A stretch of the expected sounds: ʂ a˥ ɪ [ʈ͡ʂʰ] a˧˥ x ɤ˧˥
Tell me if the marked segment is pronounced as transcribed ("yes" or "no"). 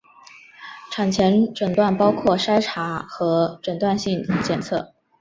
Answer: yes